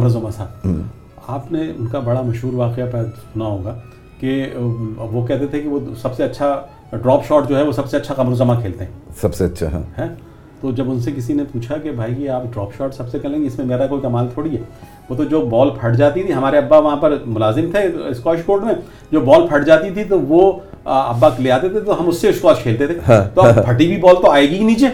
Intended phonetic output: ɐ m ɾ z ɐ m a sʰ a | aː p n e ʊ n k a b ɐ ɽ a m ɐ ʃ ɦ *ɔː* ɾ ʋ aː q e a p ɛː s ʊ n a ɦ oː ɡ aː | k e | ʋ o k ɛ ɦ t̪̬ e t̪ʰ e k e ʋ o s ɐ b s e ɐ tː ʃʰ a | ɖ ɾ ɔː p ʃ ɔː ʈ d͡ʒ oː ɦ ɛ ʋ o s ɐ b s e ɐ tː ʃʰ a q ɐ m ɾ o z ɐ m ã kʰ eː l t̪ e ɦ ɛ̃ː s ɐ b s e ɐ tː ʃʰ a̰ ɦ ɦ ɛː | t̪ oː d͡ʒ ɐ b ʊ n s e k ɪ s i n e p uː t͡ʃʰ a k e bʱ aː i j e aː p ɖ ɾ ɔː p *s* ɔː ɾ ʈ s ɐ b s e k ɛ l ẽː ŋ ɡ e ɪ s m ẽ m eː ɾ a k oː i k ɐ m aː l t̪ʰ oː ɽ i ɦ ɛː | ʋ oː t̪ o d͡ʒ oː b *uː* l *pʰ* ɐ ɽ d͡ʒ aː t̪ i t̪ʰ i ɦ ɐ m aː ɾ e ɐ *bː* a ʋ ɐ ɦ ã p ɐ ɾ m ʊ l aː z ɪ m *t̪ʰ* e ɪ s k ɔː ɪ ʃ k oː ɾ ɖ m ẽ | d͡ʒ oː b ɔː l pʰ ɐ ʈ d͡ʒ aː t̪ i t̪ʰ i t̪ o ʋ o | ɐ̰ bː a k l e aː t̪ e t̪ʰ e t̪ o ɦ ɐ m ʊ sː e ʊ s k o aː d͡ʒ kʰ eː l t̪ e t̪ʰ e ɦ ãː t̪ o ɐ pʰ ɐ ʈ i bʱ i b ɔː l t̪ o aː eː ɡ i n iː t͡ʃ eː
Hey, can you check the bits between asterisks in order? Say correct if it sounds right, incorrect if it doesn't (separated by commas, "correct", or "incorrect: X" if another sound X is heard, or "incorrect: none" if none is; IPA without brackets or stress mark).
incorrect: uː, incorrect: ʃ, incorrect: ɔː, correct, correct, correct